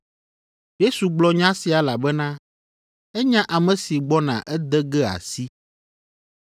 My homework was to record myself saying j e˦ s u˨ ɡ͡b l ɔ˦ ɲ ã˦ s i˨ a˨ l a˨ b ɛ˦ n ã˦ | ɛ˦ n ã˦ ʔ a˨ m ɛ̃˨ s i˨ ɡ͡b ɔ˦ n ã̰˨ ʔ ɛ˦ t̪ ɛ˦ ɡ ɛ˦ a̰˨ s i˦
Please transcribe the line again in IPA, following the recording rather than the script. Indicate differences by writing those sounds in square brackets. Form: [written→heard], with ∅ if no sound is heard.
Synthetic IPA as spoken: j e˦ s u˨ ɡ͡b l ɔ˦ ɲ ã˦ s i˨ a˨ l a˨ b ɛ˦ n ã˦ | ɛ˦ [n→ɲ] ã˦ ʔ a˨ m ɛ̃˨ s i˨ ɡ͡b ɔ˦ n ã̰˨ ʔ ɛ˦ [t̪→d̪] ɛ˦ ɡ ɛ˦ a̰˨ s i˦